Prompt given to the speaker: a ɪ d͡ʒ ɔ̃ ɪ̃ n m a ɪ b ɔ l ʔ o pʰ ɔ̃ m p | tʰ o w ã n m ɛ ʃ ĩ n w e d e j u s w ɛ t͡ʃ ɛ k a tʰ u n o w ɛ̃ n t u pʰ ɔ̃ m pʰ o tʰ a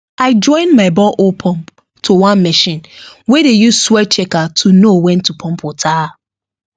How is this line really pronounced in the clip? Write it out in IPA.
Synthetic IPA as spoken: a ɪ d͡ʒ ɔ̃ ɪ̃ n m a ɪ b ɔ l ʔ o pʰ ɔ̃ m p | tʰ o w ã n m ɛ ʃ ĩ n w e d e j u s w ɛ t͡ʃ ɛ k a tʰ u n o w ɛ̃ n t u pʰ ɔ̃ m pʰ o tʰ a